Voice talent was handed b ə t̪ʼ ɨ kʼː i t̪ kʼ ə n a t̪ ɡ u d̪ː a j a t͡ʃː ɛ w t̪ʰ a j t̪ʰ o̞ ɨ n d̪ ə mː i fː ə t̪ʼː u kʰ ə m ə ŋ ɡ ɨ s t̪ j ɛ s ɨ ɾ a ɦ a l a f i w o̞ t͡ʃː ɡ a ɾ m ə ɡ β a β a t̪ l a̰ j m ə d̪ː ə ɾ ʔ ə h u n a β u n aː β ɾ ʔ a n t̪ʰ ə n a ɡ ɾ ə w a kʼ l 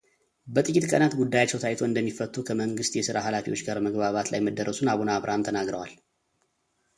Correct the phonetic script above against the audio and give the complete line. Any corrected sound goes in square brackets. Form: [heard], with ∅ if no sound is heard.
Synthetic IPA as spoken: b ə t̪ʼ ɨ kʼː i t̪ kʼ ə n a t̪ ɡ u d̪ː a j a t͡ʃː ɛ w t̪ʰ a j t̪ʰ o̞ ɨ n d̪ ə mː i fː ə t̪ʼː u kʰ ə m ə ŋ ɡ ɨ s t̪ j ɛ s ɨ ɾ a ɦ a l a f i w o̞ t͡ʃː ɡ a ɾ m ə ɡ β a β a t̪ l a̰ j m ə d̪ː ə ɾ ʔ ə [s] u n a β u n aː β ɾ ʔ a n t̪ʰ ə n a ɡ ɾ ə w a [∅] l